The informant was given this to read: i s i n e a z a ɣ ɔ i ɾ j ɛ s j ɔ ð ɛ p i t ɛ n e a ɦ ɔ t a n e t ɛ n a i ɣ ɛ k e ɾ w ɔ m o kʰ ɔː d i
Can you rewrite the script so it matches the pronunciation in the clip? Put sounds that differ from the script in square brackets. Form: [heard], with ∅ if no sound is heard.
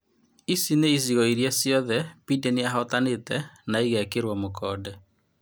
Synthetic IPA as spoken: i s i n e [i] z [i] ɣ ɔ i ɾ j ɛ s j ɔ ð ɛ p i [d] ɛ n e a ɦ ɔ t a n e t ɛ n a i ɣ ɛ k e ɾ w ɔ m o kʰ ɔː d [ɛ]